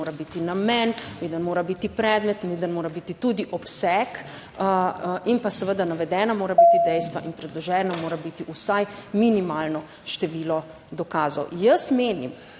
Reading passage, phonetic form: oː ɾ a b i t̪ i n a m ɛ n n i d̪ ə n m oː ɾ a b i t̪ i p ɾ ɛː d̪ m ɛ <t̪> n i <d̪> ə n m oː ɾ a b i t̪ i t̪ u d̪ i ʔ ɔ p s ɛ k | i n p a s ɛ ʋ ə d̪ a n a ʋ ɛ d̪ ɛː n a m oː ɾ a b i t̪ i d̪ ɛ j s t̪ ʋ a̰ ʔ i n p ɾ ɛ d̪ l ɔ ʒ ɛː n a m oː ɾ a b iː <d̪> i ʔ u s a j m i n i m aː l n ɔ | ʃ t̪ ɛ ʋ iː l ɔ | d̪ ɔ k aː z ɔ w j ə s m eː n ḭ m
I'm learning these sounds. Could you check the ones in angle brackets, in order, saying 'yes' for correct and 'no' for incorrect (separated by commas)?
yes, yes, no